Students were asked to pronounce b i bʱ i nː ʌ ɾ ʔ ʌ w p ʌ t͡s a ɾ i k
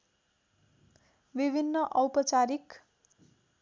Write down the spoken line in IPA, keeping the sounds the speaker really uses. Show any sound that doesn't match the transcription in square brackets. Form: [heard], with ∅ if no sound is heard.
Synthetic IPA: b i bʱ i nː ʌ [∅] ʔ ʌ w p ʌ t͡s a ɾ i k